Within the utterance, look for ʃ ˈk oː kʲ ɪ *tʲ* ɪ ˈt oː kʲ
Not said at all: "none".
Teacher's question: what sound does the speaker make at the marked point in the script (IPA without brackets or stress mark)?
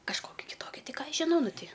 kʲ